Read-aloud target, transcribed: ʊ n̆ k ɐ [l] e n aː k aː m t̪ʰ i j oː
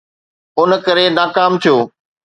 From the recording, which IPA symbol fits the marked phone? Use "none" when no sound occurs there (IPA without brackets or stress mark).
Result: ɾ